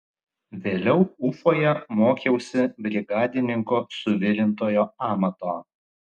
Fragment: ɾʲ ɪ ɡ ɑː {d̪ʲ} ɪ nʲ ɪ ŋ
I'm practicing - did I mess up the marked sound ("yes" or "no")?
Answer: no